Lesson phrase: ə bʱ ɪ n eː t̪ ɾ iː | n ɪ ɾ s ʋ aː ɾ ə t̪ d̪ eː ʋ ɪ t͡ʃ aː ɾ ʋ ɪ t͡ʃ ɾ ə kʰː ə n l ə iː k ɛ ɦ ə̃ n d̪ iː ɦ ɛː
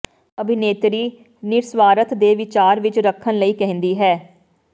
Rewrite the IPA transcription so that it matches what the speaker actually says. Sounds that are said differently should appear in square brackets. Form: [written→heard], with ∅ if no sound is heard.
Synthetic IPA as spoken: ə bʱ ɪ n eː t̪ ɾ iː | n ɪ ɾ s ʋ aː ɾ ə t̪ d̪ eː ʋ ɪ t͡ʃ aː ɾ ʋ ɪ t͡ʃ ɾ ə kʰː ə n l ə iː k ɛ ɦ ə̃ n d̪ iː ɦ ɛː